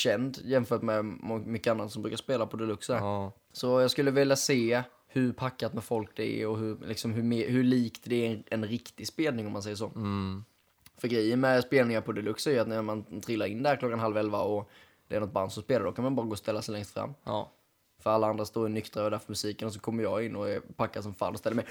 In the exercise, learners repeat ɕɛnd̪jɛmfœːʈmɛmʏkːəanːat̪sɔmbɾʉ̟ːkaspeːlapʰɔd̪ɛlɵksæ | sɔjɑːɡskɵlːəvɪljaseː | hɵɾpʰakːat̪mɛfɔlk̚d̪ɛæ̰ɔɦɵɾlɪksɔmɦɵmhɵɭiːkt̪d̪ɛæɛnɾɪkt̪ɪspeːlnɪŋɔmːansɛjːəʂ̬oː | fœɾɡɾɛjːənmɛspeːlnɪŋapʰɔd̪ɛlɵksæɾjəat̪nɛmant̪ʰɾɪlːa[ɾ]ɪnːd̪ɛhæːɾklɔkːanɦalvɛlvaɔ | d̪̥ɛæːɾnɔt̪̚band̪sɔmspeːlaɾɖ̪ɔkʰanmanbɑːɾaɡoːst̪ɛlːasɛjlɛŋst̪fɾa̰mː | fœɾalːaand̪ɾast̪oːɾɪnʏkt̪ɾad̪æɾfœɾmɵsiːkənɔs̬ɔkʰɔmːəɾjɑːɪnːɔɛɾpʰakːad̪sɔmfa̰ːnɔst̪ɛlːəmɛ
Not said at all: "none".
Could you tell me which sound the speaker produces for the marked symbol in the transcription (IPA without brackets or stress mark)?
ɾ